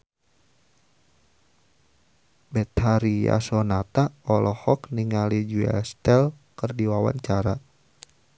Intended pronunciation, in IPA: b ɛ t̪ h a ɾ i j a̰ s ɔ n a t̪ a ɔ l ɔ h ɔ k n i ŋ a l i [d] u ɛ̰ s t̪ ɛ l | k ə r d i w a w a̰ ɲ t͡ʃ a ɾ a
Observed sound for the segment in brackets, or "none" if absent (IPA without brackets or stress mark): d͡ʒ